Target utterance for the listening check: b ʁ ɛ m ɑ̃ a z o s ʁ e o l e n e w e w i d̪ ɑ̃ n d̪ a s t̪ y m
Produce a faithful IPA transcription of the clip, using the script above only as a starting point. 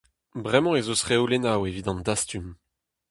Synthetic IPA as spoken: b ʁ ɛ m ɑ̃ e z o s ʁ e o l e n a w e v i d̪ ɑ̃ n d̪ a s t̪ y m

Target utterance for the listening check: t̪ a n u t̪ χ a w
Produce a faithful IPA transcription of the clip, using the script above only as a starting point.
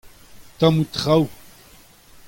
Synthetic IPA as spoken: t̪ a m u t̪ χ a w

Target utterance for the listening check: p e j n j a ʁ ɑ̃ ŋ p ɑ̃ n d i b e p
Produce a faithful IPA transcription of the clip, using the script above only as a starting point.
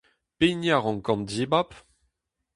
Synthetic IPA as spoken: p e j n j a ʁ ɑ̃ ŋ k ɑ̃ n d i b a p

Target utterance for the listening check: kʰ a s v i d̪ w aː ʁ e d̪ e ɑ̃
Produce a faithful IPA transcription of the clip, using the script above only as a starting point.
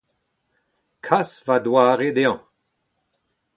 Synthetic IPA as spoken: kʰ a s v a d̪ w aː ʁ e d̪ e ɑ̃

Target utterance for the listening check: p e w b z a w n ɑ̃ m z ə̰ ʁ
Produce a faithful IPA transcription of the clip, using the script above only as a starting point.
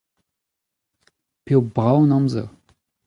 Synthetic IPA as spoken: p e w b ʁ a w n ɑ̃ m z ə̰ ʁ

